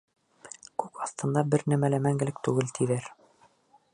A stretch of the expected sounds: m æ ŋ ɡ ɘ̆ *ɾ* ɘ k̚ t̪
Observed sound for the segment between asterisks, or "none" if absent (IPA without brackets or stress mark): l